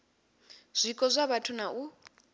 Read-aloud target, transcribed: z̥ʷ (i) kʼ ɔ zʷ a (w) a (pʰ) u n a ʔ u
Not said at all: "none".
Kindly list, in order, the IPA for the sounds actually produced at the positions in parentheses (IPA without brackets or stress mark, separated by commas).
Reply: i, β, tʰ